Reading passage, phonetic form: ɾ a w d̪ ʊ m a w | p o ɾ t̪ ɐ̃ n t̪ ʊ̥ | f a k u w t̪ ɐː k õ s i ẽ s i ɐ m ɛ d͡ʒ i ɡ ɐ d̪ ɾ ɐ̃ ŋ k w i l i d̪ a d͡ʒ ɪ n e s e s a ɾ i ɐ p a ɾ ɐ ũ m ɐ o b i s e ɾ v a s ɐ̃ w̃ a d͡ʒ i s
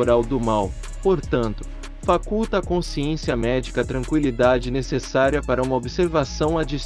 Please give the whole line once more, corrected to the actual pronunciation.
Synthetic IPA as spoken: ɾ a w d̪ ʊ m a w | p o ɾ t̪ ɐ̃ n t̪ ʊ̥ | f a k u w t̪ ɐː k õ s i ẽ s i ɐ m ɛ d͡ʒ i k ɐ t̪ ɾ ɐ̃ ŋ k w i l i d̪ a d͡ʒ ɪ n e s e s a ɾ i ɐ p a ɾ ɐ ũ m ɐ o b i s e ɾ v a s ɐ̃ w̃ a d͡ʒ i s